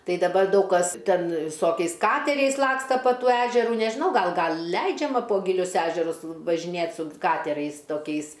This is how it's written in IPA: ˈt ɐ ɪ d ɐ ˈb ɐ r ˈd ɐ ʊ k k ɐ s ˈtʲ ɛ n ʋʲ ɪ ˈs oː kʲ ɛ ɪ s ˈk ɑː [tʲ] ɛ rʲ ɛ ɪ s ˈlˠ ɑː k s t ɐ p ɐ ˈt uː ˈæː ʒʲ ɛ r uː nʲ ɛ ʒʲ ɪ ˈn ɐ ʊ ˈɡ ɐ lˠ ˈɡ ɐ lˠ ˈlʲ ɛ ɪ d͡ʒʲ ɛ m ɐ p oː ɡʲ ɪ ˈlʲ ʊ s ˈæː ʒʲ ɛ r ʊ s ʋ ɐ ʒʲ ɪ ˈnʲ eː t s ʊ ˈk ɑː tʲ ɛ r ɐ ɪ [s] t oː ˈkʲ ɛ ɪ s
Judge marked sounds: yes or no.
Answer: yes, yes

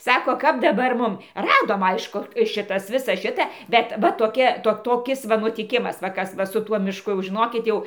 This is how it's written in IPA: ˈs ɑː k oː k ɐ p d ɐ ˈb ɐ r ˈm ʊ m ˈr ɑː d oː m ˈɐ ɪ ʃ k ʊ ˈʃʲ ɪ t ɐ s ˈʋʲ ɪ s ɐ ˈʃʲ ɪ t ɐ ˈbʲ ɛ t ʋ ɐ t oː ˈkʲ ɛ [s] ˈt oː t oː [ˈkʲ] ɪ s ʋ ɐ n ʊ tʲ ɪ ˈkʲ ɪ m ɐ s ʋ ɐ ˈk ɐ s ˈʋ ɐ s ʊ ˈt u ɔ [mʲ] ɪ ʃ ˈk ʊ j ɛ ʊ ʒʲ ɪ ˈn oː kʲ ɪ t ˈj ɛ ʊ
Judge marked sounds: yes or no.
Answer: no, yes, yes

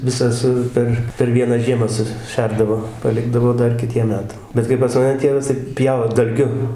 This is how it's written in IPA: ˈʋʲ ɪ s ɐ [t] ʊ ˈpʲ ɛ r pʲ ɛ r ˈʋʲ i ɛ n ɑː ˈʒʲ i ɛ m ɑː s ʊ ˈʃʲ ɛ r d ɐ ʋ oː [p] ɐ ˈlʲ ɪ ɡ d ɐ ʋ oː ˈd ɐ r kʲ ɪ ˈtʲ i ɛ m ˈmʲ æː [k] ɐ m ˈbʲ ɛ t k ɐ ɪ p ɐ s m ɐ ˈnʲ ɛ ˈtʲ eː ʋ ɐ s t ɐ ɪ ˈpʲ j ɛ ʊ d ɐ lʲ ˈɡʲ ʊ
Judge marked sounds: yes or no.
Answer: no, yes, no

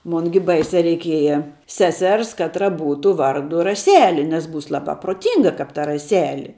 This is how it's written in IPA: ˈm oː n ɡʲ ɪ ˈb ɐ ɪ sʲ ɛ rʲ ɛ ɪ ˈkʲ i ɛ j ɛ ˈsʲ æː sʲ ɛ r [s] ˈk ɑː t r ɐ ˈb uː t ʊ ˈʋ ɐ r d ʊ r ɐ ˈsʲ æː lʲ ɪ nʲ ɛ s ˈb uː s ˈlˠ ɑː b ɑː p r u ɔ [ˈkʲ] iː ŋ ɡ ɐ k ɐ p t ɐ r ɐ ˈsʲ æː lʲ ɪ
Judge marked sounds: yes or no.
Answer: yes, no

